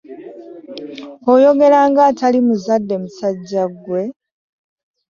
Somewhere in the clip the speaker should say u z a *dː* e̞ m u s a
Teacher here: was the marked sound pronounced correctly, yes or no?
yes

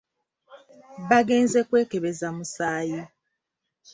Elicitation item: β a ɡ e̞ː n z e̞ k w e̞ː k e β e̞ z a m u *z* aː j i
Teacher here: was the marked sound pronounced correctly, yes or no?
no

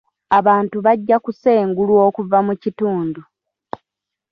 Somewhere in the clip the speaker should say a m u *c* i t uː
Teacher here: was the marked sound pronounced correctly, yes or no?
yes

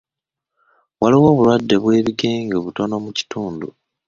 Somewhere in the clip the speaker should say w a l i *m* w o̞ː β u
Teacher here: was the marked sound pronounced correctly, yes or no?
no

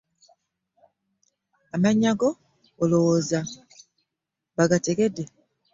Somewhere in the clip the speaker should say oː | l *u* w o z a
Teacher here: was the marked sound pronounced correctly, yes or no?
no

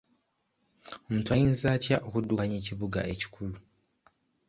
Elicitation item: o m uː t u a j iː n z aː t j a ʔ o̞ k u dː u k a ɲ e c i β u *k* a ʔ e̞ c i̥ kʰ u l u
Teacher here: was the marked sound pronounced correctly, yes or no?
no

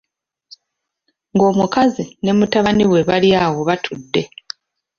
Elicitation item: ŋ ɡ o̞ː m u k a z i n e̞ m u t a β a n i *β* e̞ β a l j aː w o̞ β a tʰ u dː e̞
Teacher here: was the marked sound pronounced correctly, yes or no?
no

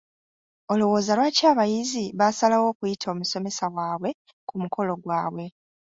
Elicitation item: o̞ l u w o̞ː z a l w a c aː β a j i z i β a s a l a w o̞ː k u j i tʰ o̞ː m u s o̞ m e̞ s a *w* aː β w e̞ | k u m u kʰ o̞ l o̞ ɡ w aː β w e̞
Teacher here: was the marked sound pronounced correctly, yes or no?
yes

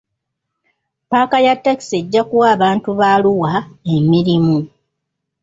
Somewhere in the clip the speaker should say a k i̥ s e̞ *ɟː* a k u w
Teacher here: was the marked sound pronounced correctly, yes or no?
yes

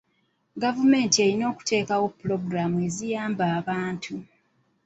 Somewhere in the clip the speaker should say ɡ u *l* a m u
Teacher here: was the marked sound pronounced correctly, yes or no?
no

